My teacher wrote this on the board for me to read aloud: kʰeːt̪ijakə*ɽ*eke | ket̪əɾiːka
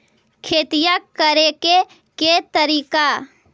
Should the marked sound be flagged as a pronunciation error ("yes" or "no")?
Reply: yes